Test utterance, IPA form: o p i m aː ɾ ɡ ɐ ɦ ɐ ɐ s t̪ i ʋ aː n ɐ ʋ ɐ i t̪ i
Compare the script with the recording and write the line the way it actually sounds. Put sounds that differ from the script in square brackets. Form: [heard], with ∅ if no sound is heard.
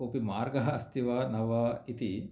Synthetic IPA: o p i m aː ɾ ɡ ɐ ɦ ɐ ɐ s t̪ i ʋ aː n ɐ ʋ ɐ i t̪ i